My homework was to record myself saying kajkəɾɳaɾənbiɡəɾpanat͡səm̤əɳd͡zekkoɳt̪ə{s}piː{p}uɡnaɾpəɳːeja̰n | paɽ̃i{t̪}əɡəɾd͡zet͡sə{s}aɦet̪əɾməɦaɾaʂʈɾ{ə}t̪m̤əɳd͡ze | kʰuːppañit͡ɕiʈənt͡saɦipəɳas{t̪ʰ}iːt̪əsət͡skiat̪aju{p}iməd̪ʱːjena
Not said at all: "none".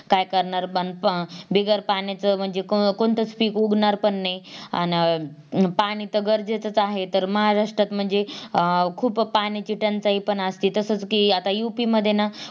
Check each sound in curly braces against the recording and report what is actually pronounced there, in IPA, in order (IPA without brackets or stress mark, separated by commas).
t͡s, k, t̪, t͡s, a, t̪, p